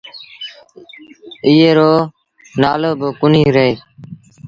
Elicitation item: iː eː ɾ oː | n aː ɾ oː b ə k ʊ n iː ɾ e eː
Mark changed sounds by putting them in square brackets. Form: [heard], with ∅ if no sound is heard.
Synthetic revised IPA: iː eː ɾ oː | n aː [l] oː b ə k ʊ n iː ɾ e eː